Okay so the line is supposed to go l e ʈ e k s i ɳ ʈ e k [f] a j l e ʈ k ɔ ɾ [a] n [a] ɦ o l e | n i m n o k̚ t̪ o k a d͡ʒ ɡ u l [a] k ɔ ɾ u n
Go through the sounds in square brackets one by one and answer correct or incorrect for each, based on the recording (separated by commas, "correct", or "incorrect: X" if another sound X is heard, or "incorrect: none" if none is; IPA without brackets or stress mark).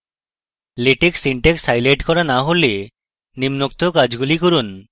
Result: incorrect: s, correct, correct, incorrect: i